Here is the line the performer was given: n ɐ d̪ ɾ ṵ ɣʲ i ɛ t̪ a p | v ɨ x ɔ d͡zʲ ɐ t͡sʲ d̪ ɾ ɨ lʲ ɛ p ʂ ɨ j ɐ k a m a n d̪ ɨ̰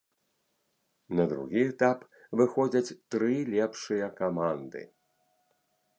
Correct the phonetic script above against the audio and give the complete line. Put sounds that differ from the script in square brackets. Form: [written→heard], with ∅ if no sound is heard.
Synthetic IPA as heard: n ɐ d̪ ɾ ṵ ɣʲ i ɛ t̪ a p | v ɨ x ɔ d͡zʲ ɐ t͡sʲ [d̪→t̪] ɾ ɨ lʲ ɛ p ʂ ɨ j ɐ k a m a n d̪ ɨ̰